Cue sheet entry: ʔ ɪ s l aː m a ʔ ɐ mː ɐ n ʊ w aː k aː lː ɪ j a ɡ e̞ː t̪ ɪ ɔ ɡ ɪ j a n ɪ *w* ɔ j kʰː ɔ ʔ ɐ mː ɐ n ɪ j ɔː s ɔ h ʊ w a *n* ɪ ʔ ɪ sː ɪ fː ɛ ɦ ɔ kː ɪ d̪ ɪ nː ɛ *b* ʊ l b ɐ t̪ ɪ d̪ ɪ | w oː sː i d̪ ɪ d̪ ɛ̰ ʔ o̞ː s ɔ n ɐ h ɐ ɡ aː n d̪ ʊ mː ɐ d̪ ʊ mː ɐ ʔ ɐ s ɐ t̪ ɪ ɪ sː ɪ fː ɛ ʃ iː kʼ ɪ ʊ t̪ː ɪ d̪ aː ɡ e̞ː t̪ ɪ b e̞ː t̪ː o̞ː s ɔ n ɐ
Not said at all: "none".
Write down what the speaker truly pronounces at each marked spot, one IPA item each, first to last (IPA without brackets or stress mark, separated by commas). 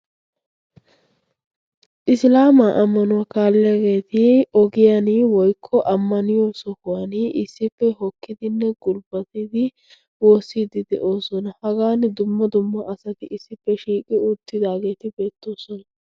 w, n, ɡ